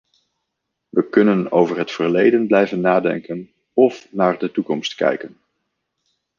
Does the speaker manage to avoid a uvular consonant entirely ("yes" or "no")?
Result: yes